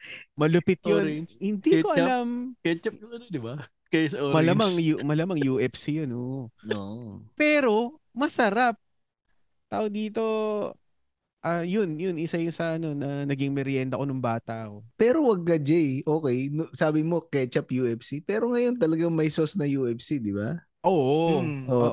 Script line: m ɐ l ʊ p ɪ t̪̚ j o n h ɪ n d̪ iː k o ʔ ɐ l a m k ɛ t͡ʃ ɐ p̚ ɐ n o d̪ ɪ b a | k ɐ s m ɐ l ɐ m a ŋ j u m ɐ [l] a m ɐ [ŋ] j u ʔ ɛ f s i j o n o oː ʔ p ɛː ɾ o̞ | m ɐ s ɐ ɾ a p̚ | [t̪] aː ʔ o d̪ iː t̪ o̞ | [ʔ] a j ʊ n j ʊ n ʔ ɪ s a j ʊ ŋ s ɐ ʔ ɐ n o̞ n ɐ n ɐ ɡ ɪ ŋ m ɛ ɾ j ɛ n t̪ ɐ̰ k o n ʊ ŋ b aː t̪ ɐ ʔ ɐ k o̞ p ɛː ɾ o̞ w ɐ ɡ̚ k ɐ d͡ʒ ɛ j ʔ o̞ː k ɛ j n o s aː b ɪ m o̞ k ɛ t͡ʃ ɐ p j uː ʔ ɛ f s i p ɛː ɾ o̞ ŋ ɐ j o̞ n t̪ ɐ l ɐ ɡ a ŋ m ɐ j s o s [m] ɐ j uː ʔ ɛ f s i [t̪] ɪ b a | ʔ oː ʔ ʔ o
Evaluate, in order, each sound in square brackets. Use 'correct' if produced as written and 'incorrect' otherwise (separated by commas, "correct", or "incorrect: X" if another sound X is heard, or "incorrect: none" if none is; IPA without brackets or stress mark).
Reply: correct, correct, correct, correct, incorrect: n, incorrect: d̪